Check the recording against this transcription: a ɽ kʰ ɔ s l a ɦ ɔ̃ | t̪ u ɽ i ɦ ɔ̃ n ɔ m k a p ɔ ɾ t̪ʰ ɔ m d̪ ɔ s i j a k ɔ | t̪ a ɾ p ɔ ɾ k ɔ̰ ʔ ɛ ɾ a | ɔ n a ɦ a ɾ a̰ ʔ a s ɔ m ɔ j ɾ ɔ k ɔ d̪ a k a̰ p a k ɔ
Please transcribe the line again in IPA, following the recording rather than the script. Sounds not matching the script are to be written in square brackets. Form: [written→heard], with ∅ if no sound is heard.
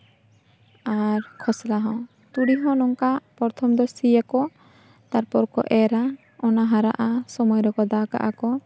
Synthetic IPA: a [ɽ→ɾ] kʰ ɔ s l a ɦ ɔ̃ | t̪ u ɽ i ɦ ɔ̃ n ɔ [m→ŋ] k a p ɔ ɾ t̪ʰ ɔ m d̪ ɔ s i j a k ɔ | t̪ a ɾ p ɔ ɾ k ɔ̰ ʔ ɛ ɾ a | ɔ n a ɦ a ɾ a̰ ʔ a s ɔ m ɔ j ɾ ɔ k ɔ d̪ a k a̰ [p→ʔ] a k ɔ